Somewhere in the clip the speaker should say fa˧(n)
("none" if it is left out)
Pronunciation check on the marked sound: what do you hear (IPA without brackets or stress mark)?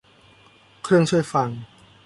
ŋ